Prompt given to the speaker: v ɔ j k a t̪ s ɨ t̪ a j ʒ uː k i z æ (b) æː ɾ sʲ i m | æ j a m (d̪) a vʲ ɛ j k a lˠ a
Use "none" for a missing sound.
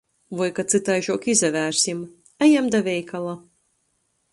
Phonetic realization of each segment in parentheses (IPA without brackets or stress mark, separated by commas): v, d̪